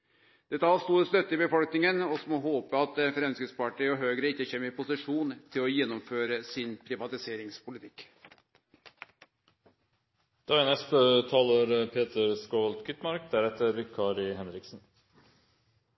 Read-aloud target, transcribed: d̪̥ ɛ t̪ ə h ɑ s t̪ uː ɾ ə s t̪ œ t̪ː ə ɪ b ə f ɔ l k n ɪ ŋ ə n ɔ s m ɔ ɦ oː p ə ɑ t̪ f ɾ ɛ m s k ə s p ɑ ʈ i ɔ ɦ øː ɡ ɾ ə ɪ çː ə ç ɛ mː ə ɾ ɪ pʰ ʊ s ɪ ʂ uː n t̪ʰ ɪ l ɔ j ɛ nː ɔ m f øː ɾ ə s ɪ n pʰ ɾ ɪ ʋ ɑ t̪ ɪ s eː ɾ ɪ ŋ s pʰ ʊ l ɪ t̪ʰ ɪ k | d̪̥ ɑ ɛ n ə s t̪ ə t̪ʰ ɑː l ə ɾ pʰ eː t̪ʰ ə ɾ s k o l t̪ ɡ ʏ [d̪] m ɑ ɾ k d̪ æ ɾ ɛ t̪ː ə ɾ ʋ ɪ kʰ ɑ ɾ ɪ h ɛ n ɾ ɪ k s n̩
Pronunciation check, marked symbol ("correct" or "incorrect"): incorrect